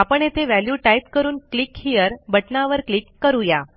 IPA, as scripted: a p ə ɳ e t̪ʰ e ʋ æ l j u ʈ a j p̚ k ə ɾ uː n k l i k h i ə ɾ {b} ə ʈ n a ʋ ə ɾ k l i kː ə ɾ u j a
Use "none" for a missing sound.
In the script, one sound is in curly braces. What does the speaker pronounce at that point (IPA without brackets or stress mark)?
b